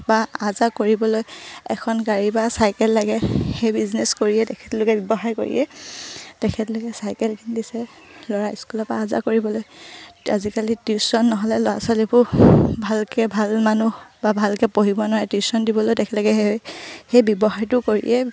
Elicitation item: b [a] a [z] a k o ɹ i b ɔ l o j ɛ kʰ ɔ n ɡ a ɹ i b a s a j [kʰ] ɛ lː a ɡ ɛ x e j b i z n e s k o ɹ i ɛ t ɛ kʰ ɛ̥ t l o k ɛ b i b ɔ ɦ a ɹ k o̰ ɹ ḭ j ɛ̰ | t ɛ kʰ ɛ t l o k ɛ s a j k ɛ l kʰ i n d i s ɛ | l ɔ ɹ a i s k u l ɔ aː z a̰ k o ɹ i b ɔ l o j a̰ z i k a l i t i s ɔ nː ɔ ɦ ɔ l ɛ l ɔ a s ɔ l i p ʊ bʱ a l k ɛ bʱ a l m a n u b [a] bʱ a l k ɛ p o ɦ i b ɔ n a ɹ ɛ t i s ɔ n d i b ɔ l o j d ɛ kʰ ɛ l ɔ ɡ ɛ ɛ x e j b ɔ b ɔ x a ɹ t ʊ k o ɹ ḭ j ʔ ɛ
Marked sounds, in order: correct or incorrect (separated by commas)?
correct, correct, incorrect, correct